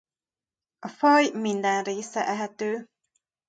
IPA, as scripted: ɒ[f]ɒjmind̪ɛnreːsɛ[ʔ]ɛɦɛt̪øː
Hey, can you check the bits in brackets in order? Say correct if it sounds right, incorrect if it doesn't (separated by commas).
correct, correct